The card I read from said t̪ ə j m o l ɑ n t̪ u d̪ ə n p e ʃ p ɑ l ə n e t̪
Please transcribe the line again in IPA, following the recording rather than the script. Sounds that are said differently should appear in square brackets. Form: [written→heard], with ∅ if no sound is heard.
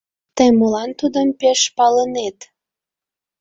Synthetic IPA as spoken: t̪ ə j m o l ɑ n t̪ u d̪ ə [n→m] p e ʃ p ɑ l ə n e t̪